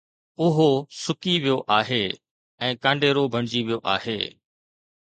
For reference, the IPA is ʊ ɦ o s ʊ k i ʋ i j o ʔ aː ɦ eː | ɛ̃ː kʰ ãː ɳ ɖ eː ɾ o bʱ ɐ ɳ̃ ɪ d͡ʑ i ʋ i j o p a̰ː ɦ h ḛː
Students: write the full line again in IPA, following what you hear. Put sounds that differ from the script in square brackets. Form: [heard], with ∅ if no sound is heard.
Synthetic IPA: ʊ ɦ o s ʊ k i ʋ i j o ʔ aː ɦ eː | ɛ̃ː [k] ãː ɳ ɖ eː ɾ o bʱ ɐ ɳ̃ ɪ d͡ʑ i ʋ i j o [ʔ] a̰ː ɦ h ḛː